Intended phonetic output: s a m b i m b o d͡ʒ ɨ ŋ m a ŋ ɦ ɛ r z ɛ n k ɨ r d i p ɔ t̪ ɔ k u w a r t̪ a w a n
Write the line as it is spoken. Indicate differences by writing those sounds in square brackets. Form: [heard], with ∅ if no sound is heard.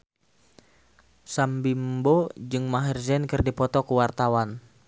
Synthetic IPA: s a m b i m b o d͡ʒ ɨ ŋ m a [∅] ɦ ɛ r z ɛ n k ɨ r d i p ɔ t̪ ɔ k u w a r t̪ a w a n